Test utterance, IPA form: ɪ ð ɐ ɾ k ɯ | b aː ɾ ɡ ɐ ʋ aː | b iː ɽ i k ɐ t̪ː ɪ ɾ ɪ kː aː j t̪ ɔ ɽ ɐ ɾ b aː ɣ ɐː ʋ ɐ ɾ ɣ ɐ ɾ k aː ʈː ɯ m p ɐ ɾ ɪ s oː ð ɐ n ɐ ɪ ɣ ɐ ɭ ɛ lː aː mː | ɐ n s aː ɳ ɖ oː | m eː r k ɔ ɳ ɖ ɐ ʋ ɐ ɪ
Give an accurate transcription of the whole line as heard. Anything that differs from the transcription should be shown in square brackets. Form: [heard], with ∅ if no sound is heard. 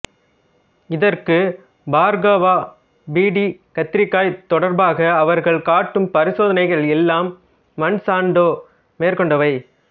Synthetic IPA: ɪ ð ɐ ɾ k ɯ | b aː ɾ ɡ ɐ ʋ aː | b iː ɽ i k ɐ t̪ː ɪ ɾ ɪ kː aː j t̪ ɔ ɽ ɐ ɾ b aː ɣ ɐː ʋ ɐ ɾ ɣ ɐ [ɭ] k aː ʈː ɯ m p ɐ ɾ ɪ s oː ð ɐ n ɐ ɪ ɣ ɐ ɭ ɛ lː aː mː | ɐ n s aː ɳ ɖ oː | m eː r k ɔ ɳ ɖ ɐ ʋ ɐ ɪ